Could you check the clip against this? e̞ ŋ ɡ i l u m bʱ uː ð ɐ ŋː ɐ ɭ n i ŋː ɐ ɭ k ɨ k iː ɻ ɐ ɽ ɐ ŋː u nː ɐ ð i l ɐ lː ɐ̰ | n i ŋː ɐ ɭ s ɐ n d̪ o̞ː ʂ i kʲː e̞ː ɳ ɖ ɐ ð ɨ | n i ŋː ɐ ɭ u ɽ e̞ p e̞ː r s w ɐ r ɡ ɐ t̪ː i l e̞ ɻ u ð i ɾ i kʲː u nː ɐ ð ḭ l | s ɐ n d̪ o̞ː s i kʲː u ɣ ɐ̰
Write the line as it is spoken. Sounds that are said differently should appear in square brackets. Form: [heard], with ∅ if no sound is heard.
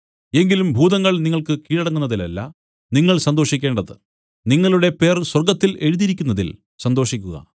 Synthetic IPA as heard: e̞ ŋ ɡ i l u m bʱ uː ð ɐ ŋː ɐ ɭ n i ŋː ɐ ɭ k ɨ k iː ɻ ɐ ɽ ɐ ŋː u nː ɐ ð i l ɐ lː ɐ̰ | n i ŋː ɐ ɭ s ɐ n d̪ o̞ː ʂ i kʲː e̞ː ɳ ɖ ɐ ð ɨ | n i ŋː ɐ ɭ u ɽ e̞ p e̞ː r s w ɐ r ɡ ɐ t̪ː i l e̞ ɻ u ð i ɾ i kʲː u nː ɐ ð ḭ l | s ɐ n d̪ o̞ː [ʂ] i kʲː u ɣ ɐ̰